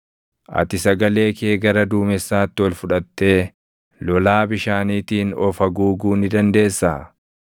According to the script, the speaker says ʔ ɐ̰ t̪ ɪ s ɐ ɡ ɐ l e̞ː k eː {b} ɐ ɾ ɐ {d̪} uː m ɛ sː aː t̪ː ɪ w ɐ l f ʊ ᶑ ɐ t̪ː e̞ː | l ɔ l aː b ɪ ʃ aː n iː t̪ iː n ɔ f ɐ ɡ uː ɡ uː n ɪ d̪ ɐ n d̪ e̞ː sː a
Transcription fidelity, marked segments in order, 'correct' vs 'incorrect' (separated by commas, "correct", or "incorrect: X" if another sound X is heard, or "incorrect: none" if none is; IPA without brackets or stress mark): incorrect: ɡ, correct